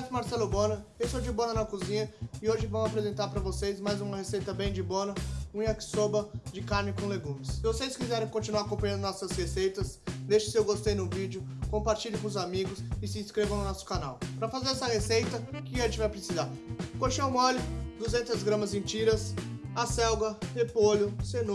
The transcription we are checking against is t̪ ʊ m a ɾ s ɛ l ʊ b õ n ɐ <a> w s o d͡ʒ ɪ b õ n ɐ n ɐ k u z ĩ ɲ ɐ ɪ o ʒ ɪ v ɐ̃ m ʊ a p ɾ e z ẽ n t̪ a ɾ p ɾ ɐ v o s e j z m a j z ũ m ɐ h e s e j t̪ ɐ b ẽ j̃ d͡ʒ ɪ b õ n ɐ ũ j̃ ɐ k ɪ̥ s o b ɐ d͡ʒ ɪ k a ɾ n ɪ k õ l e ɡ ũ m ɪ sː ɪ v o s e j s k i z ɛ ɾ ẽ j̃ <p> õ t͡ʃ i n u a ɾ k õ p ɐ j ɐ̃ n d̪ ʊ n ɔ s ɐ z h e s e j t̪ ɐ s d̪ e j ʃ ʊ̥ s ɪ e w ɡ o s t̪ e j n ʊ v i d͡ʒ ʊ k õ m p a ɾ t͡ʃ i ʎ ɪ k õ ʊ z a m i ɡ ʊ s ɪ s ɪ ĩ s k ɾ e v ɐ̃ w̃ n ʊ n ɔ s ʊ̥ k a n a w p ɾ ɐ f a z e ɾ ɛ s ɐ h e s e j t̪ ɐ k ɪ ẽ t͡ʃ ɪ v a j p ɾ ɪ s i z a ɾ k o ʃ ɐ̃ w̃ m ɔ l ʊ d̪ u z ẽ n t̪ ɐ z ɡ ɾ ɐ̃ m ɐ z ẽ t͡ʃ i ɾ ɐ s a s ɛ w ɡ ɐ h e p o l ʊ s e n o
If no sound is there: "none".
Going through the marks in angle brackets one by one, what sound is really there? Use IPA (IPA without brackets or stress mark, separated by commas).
e, k